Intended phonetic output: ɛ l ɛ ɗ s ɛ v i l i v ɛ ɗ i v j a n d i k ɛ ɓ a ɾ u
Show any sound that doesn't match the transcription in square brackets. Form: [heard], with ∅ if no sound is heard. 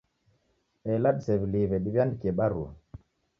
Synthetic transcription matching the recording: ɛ l [a] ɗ s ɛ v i l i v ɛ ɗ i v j a n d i k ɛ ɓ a ɾ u